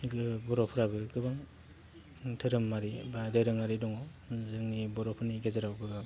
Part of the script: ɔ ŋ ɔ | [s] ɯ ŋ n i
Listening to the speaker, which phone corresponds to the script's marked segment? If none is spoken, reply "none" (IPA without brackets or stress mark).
z